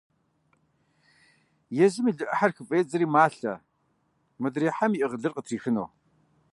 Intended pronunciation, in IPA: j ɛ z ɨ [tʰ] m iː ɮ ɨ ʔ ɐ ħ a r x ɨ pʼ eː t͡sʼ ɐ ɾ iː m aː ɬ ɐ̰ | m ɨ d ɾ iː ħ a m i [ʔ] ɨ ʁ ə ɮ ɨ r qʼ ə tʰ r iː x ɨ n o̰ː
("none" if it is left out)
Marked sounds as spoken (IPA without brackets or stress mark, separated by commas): none, ʔ